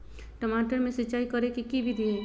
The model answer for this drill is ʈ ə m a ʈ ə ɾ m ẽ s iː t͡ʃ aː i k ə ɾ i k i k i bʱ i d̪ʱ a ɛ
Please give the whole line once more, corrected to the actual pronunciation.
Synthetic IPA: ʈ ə m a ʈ ə ɾ m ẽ s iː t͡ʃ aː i k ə ɾ e k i k i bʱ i d̪ʱ i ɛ